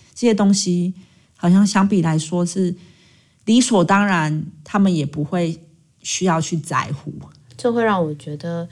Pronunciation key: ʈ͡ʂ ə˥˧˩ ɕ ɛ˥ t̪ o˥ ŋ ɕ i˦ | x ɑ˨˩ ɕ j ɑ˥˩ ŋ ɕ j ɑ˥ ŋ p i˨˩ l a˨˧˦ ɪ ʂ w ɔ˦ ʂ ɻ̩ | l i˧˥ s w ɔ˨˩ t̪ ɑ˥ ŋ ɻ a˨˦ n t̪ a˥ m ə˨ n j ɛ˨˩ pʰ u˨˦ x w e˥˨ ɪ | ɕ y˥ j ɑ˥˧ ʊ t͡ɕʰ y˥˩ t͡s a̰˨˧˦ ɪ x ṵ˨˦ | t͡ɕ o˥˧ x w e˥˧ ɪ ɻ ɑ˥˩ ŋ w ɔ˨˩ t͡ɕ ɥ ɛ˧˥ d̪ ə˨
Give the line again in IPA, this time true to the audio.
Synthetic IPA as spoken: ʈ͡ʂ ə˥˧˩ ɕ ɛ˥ t̪ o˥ ŋ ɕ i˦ | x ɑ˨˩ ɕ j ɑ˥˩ ŋ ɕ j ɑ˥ ŋ p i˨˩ l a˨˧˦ ɪ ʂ w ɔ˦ ʂ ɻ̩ | l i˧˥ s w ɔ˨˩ t̪ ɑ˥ ŋ ɻ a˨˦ n t̪ʰ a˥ m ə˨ n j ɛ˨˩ p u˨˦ x w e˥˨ ɪ | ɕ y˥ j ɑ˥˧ ʊ t͡ɕʰ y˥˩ t͡s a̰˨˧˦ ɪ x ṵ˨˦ | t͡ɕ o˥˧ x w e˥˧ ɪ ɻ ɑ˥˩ ŋ w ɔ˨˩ t͡ɕ ɥ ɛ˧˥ d̪ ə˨